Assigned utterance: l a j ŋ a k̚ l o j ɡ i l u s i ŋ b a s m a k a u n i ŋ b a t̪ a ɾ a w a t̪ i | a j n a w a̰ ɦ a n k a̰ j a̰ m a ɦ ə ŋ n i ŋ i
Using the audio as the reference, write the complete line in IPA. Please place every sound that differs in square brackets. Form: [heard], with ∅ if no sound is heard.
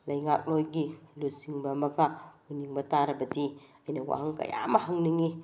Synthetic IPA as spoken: l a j ŋ a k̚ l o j ɡ i l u s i ŋ b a [∅] m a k a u n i ŋ b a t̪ a ɾ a [b] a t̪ i | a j n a w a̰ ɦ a [ŋ] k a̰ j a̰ m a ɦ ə ŋ n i ŋ i

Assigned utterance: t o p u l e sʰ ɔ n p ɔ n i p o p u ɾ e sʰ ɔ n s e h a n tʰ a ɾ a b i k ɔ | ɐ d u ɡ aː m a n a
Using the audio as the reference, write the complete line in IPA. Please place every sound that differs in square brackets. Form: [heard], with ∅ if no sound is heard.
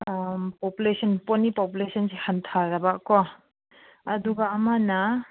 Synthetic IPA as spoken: [p] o p u l e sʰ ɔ n p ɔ n i p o p u [l] e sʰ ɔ n s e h a n tʰ a ɾ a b [a] k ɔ | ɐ d u ɡ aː m a n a

